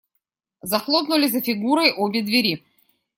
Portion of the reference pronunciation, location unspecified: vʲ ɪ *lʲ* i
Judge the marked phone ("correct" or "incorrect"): incorrect